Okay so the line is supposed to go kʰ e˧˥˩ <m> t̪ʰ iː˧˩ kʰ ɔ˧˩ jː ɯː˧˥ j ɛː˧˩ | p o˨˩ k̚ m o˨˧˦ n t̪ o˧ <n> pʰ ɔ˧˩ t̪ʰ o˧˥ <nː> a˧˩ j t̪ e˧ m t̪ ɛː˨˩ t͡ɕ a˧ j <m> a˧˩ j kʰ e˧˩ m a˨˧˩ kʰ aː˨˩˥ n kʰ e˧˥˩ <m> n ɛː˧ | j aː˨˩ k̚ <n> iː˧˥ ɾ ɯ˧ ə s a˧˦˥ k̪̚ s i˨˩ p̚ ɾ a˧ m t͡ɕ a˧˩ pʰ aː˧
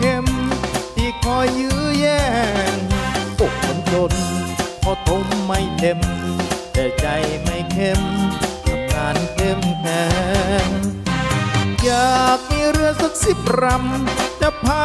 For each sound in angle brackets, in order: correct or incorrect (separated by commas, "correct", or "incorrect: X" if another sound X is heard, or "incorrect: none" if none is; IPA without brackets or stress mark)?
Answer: correct, correct, incorrect: mː, correct, correct, incorrect: m